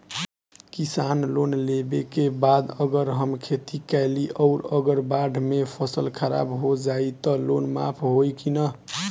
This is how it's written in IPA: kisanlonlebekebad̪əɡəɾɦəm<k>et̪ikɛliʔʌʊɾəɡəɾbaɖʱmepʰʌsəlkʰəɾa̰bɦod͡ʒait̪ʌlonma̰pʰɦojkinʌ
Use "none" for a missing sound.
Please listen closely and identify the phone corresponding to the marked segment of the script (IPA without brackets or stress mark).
kʰ